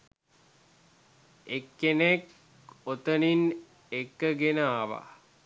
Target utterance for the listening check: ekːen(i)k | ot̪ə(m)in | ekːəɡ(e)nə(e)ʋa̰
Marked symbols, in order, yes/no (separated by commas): no, no, yes, no